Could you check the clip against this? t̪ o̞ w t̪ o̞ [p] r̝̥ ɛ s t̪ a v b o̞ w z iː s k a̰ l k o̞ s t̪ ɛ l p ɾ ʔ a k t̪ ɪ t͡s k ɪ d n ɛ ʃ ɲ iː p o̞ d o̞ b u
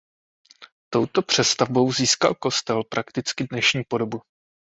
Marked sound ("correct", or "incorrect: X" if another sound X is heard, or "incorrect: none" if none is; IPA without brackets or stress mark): correct